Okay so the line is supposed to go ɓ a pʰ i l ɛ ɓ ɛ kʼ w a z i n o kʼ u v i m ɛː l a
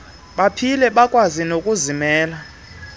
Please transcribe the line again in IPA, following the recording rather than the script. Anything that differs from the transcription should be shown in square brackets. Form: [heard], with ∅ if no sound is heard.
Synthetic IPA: ɓ a pʰ i l ɛ ɓ [a] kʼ w a z i n o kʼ u [z] i m ɛː l a